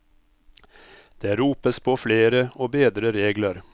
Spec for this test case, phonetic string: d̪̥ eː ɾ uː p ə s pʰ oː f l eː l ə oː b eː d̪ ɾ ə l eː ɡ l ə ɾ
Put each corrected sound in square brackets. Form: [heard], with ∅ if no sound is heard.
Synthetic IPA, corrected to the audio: d̪̥ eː ɾ uː p ə s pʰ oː f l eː [ɾ] ə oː b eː d̪ ɾ ə [ɾ] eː ɡ l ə ɾ

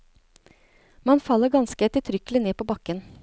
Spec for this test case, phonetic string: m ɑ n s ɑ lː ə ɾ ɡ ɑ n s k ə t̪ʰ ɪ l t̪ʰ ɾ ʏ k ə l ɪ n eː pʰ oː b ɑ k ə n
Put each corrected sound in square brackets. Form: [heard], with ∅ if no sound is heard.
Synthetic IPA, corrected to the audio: m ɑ n [f] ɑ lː ə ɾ ɡ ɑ n s k ə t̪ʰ ɪ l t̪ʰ ɾ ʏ k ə l ɪ n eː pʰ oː b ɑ k ə n

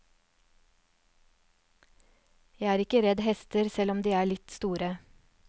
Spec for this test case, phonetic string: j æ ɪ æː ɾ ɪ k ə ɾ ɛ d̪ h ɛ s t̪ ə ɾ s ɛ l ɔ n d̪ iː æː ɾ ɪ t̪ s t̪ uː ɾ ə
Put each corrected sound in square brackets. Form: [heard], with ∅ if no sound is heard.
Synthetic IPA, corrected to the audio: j æ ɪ æː ɾ ɪ k ə ɾ ɛ d̪ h ɛ s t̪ ə ɾ s ɛ l ɔ [m] d̪ iː æː [ɭ] ɪ t̪ s t̪ uː ɾ ə

